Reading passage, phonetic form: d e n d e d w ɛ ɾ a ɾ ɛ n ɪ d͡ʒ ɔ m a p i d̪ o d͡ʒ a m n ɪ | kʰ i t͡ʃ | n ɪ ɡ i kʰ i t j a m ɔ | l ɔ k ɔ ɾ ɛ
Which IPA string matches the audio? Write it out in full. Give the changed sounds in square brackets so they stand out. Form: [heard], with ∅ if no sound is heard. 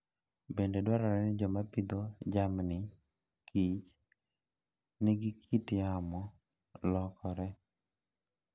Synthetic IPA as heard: [b] e n d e d w [a] ɾ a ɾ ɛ n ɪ d͡ʒ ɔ m a p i d̪ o d͡ʒ a m n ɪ | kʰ i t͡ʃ | n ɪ ɡ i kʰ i t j a m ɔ | l ɔ k ɔ ɾ ɛ